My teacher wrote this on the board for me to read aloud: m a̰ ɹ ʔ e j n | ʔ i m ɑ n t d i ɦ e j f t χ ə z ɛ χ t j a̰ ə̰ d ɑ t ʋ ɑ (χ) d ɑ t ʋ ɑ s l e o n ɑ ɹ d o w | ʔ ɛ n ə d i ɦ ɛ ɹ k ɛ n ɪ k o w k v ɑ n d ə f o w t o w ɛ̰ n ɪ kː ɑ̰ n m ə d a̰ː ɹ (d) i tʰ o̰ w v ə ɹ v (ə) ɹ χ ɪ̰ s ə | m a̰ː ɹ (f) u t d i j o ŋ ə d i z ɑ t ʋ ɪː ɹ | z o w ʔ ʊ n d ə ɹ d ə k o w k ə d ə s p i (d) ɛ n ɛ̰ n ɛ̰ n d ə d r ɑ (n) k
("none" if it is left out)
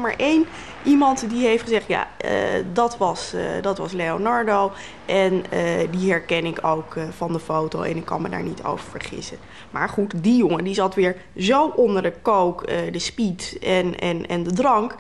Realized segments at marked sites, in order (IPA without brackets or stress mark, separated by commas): s, n, ə, χ, t, ŋ